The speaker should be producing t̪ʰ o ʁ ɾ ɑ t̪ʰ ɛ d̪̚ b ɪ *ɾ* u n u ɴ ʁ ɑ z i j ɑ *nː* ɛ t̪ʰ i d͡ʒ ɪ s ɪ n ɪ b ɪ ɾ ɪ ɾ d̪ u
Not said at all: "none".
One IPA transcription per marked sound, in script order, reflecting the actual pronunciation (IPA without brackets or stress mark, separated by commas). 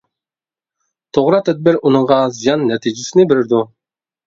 ɾ, nː